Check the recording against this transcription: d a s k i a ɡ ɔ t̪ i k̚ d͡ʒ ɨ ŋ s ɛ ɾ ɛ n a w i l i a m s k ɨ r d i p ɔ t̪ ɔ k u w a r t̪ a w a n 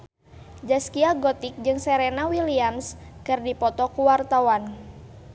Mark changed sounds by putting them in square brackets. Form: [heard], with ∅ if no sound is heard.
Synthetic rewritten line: [d͡ʒ] a s k i a ɡ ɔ t̪ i k̚ d͡ʒ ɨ ŋ s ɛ ɾ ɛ n a w i l i a m s k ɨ r d i p ɔ t̪ ɔ k u w a r t̪ a w a n